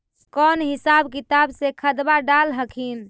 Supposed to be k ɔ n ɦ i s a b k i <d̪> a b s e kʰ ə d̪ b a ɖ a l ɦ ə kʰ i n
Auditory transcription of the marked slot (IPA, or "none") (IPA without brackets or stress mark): t̪